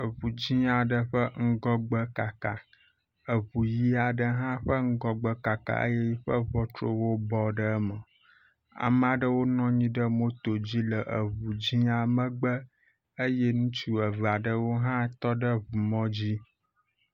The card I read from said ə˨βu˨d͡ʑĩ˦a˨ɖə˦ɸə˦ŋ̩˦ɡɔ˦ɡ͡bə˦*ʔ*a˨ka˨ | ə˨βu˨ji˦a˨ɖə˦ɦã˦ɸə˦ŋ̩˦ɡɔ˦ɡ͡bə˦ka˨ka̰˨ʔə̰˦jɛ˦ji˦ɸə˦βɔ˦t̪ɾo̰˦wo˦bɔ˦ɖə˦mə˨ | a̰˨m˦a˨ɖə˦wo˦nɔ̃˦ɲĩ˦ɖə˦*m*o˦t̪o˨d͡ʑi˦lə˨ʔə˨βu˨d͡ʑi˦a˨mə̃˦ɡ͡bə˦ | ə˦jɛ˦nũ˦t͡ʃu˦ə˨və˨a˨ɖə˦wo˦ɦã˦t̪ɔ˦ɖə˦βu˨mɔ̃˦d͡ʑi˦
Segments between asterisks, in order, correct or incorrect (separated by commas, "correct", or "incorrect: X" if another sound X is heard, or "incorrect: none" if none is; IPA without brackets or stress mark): incorrect: k, correct